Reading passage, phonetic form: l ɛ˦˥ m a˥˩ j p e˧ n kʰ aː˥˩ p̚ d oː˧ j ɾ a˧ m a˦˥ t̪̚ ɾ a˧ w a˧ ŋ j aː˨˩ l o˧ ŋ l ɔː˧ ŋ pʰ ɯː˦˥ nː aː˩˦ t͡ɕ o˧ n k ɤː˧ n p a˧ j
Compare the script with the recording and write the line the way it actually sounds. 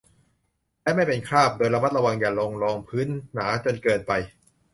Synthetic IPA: l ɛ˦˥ m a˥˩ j p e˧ n kʰ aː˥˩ p̚ d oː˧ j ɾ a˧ m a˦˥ t̪̚ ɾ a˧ w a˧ ŋ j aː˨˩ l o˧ ŋ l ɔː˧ ŋ pʰ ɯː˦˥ nː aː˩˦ t͡ɕ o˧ n k ɤː˧ n p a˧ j